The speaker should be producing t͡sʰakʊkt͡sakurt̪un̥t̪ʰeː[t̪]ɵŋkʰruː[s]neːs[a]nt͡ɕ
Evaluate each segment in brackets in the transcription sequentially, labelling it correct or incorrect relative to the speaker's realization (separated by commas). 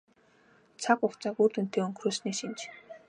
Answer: incorrect, correct, incorrect